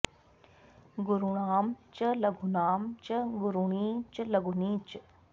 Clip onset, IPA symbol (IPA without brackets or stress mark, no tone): ɡ